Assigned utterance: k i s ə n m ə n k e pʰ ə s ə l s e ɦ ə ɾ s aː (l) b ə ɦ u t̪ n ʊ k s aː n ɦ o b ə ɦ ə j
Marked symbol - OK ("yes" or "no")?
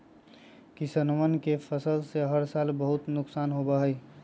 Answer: yes